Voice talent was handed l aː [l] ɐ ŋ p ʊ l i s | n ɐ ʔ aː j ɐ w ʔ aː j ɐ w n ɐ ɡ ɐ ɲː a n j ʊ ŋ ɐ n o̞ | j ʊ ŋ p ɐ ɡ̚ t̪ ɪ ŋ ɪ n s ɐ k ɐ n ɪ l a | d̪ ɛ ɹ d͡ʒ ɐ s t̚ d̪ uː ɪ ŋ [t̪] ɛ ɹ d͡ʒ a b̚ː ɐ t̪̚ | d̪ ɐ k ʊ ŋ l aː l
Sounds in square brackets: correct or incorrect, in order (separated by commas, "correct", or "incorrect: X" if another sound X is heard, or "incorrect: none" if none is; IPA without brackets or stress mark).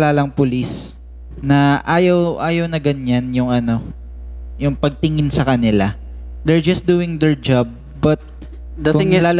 correct, incorrect: d̪